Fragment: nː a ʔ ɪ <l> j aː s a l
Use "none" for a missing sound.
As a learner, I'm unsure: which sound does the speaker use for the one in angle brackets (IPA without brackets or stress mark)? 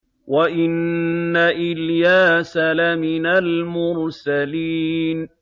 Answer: l